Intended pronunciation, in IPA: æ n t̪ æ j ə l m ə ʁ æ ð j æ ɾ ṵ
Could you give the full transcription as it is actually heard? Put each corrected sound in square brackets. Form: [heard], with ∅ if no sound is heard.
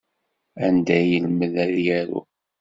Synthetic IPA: æ n [d̪] æ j ə l m ə [ð] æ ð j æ ɾ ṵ